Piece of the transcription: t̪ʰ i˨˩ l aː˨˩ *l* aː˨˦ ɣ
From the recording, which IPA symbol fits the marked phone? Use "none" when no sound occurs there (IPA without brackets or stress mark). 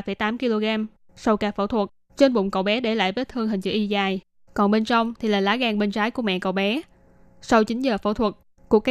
l